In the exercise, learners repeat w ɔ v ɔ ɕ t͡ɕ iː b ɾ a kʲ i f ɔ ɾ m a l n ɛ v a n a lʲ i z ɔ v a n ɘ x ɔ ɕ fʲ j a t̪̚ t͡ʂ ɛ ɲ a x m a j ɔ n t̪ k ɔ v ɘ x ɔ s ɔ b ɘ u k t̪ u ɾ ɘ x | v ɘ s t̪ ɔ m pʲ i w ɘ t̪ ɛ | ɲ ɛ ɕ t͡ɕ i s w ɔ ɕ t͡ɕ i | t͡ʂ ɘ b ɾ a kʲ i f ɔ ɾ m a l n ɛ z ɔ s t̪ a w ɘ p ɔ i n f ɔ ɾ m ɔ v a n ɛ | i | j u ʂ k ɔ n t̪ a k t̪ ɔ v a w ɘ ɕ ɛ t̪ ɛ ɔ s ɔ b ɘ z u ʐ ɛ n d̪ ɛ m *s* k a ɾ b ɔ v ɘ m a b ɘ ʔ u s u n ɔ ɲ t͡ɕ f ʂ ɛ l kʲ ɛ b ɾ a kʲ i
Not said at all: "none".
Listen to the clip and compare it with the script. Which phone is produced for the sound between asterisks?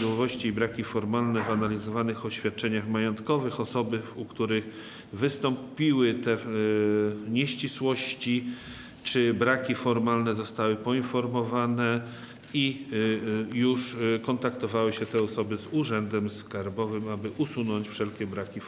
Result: s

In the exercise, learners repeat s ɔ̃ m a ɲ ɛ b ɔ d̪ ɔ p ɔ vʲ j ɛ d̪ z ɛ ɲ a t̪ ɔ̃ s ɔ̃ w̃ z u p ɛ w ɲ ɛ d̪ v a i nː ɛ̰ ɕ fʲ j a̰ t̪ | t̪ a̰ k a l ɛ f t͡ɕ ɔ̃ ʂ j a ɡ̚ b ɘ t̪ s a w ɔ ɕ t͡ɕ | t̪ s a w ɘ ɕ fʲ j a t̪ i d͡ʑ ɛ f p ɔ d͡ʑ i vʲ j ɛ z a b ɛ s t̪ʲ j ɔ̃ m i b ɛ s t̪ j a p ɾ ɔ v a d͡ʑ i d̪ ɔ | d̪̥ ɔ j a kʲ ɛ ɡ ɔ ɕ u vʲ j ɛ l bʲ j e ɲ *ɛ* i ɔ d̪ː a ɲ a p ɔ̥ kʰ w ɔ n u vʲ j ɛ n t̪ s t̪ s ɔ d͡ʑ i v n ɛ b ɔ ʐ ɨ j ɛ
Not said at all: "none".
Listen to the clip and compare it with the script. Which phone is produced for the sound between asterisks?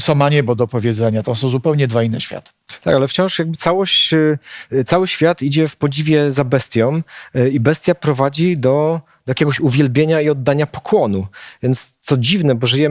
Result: a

